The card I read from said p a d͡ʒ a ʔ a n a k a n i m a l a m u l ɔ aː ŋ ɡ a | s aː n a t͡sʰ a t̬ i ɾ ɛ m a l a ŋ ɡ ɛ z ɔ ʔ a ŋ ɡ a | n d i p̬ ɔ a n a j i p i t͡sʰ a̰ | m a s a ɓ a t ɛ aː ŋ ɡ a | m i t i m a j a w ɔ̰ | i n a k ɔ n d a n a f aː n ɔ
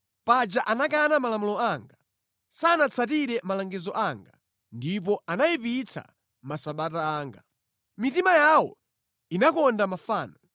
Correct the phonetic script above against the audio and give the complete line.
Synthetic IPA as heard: p a d͡ʒ a ʔ a n a k a n a m a l a m u l ɔ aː ŋ ɡ a | s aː n a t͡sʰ a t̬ i ɾ ɛ m a l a ŋ ɡ ɛ z ɔ ʔ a ŋ ɡ a | n d i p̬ ɔ a n a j i p i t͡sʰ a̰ | m a s a ɓ a t a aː ŋ ɡ a | m i t i m a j a w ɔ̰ | i n a k ɔ n d a m a f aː n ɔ